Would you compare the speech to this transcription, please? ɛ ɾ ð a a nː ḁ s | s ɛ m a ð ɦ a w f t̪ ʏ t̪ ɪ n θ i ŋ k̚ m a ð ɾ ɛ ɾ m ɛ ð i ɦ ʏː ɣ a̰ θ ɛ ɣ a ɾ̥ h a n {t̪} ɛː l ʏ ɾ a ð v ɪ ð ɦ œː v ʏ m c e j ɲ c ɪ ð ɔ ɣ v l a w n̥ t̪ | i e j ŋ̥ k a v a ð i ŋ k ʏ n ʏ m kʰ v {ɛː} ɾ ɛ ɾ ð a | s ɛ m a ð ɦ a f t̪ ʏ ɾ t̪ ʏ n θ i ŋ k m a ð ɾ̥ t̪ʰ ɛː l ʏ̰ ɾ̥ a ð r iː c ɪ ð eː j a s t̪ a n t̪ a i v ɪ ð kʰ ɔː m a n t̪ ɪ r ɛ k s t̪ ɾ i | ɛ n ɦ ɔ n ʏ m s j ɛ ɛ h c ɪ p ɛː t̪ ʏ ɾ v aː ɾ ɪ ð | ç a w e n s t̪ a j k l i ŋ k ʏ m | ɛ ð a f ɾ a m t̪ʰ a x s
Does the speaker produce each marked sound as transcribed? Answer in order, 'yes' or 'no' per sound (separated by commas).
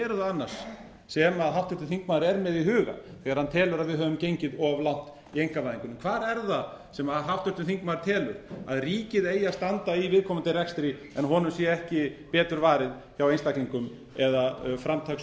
no, no